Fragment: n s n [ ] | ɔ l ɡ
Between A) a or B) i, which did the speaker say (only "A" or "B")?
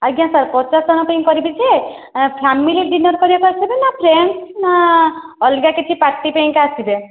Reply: A